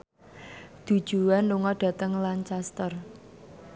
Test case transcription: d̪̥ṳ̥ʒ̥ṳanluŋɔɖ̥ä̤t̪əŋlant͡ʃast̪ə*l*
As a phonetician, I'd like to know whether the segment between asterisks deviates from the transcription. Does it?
yes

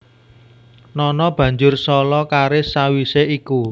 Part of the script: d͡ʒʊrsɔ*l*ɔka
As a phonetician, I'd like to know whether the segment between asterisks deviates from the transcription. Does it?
no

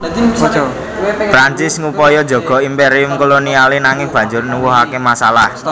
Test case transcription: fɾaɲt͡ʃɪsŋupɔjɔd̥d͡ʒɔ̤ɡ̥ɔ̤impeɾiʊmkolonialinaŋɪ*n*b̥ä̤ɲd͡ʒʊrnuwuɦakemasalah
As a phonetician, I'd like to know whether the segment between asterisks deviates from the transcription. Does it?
yes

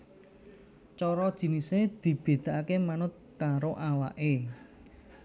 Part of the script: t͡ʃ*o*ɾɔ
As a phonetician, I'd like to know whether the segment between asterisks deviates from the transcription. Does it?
yes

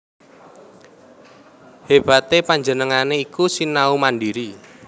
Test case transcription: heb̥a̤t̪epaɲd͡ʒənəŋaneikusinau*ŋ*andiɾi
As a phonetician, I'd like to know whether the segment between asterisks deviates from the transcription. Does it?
yes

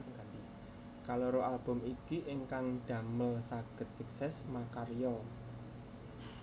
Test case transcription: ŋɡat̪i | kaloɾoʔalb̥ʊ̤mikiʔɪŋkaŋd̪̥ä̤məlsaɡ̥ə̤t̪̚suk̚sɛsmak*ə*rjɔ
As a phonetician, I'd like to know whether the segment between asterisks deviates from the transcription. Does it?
yes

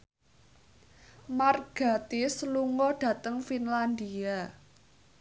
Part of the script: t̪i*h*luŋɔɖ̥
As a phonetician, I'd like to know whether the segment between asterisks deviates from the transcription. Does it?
yes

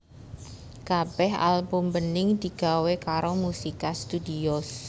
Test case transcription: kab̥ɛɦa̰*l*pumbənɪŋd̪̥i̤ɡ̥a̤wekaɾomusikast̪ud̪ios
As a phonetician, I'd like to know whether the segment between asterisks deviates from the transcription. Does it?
no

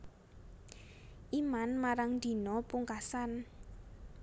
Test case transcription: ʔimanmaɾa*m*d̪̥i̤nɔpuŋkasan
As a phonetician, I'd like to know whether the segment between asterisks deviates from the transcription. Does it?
yes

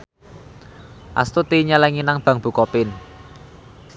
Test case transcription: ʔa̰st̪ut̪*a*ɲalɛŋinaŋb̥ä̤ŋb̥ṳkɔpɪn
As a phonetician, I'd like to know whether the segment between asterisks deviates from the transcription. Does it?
yes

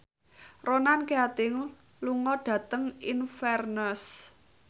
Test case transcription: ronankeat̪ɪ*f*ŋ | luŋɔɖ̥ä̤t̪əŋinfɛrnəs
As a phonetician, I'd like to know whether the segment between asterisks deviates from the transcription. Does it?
yes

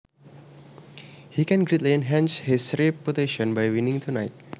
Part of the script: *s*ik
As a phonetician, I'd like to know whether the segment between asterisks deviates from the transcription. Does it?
yes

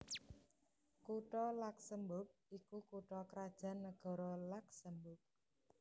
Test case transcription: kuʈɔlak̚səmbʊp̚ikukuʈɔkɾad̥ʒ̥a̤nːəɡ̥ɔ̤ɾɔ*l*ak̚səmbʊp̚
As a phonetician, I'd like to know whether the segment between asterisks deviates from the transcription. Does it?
no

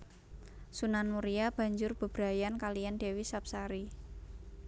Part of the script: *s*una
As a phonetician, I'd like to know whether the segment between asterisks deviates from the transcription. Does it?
no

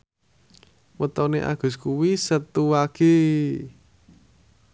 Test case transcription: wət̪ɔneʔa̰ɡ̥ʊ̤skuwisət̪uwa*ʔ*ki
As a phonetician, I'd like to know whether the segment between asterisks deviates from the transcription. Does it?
yes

